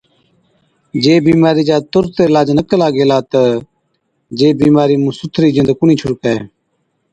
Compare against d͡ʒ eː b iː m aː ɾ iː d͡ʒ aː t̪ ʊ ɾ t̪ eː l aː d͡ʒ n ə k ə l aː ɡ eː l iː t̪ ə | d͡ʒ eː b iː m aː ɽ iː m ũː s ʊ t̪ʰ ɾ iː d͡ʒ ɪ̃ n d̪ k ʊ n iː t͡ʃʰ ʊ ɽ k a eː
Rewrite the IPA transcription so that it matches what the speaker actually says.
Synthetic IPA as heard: d͡ʒ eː b iː m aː ɾ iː d͡ʒ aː t̪ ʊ ɾ t̪ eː l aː d͡ʒ n ə k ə l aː ɡ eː l aː t̪ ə | d͡ʒ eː b iː m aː ɾ iː m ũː s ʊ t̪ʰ ɾ iː d͡ʒ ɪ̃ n d̪ k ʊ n iː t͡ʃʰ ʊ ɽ k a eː